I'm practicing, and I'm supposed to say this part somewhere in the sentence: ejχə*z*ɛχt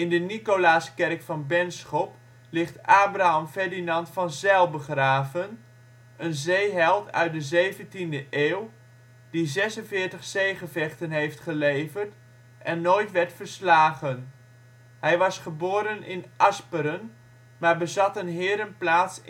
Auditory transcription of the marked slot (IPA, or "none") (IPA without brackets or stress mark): v